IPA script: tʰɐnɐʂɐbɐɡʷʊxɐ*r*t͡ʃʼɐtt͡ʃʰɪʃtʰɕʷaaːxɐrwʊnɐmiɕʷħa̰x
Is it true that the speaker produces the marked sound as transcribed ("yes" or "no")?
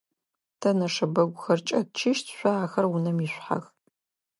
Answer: yes